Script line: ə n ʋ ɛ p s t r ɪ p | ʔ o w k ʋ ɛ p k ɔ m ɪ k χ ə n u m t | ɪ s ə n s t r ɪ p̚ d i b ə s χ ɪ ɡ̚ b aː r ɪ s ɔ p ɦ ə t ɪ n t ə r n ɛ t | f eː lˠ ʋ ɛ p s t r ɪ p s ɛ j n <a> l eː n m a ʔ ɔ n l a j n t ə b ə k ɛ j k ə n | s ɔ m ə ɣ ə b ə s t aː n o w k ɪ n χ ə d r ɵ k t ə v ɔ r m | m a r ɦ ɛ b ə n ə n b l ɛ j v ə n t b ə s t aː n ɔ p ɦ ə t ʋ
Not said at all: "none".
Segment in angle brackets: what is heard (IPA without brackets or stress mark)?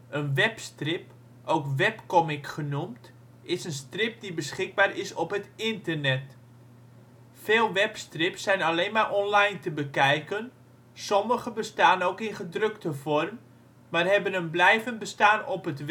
a